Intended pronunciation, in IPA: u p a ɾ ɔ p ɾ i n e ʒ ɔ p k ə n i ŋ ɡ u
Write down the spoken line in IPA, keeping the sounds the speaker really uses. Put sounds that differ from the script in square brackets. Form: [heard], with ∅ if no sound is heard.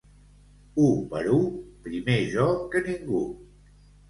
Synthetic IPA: u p [ə] ɾ [u] p ɾ i [m] e ʒ ɔ [∅] k ə n i ŋ ɡ u